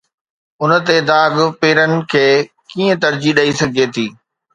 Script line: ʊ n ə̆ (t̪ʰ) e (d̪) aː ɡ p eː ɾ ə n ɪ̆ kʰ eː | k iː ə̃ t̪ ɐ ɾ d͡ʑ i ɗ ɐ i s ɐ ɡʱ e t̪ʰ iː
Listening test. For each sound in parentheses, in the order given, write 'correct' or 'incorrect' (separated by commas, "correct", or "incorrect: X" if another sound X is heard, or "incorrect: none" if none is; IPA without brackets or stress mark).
incorrect: t̪, correct